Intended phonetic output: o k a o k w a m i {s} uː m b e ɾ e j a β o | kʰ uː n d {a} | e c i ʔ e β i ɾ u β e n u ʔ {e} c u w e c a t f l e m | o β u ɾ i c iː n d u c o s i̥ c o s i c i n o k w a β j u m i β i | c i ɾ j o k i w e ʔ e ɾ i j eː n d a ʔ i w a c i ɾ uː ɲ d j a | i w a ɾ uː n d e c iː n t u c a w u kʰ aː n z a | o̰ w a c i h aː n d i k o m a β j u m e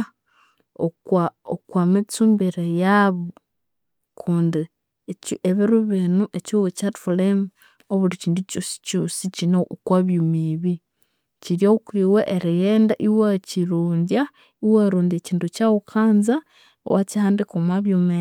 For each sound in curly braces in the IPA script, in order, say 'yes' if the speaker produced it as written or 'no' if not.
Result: no, no, yes

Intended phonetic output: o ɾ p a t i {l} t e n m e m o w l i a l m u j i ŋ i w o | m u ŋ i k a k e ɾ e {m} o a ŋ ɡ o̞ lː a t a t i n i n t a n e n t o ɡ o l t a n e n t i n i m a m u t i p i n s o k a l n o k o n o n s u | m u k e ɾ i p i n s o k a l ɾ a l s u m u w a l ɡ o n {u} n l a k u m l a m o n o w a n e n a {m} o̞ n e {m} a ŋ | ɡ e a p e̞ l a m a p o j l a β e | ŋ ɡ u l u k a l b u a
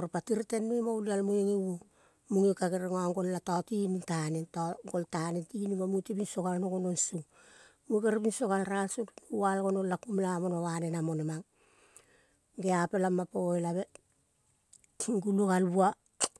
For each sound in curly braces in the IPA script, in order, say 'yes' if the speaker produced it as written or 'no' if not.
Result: no, no, no, yes, yes

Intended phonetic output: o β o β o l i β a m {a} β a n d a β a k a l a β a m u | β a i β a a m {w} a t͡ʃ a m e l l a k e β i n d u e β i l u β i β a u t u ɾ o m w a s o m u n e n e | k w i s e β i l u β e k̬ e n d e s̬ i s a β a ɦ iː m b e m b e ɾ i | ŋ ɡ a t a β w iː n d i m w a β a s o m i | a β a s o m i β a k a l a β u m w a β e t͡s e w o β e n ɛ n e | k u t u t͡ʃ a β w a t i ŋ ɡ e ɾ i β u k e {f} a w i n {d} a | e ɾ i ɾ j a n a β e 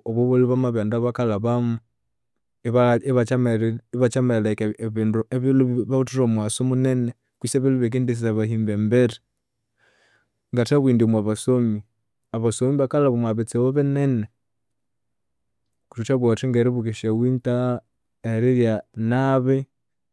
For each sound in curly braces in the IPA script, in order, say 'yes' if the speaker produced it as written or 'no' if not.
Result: yes, no, no, no

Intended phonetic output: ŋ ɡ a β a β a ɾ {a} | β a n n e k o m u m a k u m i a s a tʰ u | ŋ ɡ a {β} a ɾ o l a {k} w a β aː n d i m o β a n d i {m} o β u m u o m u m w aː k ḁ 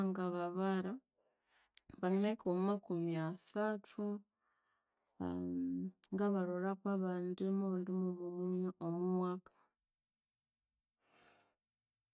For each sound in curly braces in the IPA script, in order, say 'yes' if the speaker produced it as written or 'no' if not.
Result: yes, yes, yes, yes

